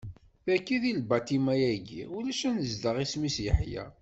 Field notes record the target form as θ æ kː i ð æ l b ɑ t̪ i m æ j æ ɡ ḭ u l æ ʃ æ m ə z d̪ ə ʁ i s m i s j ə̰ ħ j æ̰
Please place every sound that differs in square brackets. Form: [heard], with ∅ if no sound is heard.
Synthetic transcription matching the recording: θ æ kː i ð [i] l b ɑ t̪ i m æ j æ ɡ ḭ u l æ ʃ æ [n] ə z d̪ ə ʁ i s m i s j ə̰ ħ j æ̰